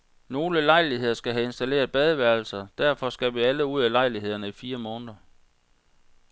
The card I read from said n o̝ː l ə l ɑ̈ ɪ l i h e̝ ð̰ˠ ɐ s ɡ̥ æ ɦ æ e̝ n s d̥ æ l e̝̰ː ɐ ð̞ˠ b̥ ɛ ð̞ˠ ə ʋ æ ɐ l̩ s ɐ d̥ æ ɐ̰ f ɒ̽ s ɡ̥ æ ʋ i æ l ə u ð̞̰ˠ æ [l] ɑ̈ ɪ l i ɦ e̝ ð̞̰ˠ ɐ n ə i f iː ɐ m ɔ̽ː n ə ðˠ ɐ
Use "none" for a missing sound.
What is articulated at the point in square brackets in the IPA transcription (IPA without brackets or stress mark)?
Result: l